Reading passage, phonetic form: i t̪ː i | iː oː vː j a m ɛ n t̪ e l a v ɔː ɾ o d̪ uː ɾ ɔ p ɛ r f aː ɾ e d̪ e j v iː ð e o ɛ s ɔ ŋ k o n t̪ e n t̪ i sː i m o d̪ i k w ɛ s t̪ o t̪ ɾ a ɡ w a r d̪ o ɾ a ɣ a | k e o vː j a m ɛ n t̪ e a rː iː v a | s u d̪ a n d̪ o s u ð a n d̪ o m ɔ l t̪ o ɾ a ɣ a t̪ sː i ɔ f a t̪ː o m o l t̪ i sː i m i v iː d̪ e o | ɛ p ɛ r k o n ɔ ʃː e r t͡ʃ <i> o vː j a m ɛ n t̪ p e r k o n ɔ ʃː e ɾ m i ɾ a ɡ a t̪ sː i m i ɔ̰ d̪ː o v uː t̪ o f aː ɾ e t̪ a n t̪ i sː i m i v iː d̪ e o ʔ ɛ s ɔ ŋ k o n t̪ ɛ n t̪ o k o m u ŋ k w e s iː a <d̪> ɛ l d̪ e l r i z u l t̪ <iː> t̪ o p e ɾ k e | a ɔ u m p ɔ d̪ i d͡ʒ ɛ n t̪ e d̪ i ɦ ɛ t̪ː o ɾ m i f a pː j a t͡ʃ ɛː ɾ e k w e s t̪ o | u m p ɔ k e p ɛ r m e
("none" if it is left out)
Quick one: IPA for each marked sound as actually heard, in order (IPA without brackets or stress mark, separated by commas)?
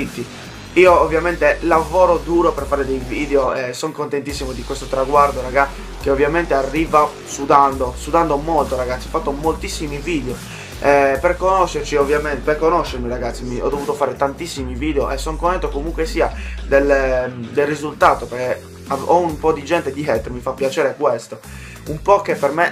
i, d̪, aː